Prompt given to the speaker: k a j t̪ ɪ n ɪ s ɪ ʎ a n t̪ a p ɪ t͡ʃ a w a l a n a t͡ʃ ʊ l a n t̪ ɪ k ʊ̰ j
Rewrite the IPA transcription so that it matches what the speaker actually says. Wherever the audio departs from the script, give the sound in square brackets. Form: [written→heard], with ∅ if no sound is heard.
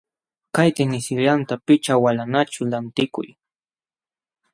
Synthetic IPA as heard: k a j t̪ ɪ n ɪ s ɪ ʎ a n t̪ a p ɪ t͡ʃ a w a l a n a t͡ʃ ʊ l a n t̪ ɪ k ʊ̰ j